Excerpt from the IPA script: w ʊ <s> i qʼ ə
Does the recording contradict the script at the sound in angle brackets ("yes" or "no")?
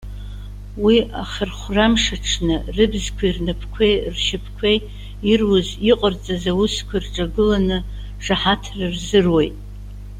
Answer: yes